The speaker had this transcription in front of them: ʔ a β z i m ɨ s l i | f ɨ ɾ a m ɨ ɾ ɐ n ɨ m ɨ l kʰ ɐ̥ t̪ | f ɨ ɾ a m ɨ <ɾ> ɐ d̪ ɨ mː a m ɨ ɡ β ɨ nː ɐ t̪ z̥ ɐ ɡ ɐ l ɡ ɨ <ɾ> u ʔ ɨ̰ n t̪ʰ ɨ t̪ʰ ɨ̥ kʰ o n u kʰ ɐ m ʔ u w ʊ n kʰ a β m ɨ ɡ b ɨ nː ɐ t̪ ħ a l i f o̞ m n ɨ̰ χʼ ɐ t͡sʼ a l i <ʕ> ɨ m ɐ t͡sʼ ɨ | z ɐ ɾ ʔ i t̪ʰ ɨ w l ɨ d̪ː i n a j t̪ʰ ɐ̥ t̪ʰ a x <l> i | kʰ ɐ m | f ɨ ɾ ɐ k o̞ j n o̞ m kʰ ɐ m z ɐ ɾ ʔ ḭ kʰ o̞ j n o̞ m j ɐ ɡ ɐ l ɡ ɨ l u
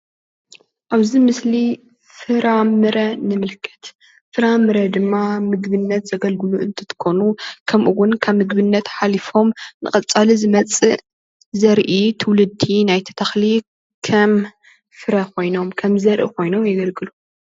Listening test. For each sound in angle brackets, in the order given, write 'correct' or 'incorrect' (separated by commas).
correct, incorrect, incorrect, correct